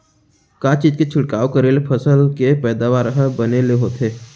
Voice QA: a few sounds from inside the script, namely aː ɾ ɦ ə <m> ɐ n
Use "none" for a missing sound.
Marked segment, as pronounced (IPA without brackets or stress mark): b